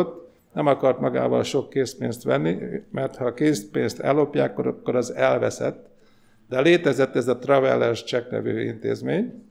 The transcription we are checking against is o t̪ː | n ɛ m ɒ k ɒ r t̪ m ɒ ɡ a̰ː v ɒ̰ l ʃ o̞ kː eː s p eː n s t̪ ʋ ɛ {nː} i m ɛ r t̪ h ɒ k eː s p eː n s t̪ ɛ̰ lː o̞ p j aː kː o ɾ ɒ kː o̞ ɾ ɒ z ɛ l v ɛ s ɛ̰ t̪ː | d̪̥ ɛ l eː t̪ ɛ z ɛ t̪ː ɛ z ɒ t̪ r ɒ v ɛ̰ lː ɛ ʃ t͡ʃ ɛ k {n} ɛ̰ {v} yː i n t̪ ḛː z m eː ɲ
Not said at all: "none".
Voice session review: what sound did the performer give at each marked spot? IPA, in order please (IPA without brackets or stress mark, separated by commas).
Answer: nː, n, v